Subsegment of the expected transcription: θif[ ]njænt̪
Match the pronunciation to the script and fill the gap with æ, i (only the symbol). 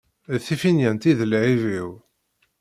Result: i